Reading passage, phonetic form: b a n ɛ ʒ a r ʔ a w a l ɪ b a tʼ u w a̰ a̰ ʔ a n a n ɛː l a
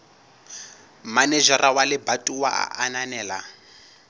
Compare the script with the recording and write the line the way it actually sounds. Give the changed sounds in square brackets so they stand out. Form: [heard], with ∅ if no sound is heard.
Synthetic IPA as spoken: [m] a n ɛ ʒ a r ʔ a w a l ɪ b a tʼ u w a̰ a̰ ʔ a n a n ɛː l a

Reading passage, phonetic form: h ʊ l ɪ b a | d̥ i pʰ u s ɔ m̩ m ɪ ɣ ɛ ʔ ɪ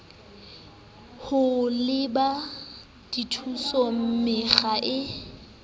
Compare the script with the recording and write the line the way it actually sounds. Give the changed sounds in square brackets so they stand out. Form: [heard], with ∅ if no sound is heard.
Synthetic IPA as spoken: h ʊ l ɪ b a | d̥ i [tʰ] u s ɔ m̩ m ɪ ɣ [a] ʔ ɪ

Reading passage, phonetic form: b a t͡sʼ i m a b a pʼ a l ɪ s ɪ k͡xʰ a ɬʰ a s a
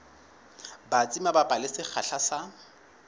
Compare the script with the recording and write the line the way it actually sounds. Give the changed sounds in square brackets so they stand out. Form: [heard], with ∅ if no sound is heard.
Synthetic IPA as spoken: b a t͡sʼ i m a b a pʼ a l ɪ s ɪ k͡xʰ a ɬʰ a s a

